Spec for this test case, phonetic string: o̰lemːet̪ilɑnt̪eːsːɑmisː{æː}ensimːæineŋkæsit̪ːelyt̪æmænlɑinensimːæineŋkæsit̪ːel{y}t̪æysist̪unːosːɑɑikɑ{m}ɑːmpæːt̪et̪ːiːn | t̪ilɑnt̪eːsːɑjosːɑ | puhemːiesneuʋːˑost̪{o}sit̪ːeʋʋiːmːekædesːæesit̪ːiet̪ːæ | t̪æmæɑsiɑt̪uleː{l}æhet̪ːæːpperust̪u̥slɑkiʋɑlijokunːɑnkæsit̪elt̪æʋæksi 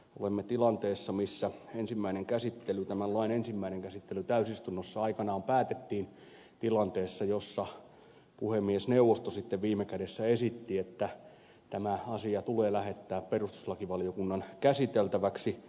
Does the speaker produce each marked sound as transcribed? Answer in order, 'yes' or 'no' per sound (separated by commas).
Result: no, yes, no, yes, yes